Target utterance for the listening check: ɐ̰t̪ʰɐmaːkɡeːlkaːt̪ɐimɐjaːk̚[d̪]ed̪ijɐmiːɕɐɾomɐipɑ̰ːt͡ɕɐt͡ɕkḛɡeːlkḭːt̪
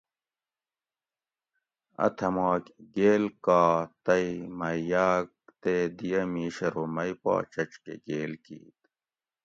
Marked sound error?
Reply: yes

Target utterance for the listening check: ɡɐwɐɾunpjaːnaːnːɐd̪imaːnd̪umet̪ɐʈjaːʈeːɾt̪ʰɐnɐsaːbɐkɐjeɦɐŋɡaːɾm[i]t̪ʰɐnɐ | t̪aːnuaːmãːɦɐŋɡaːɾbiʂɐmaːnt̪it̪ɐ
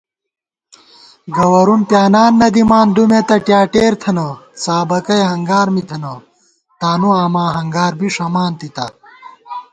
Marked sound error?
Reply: no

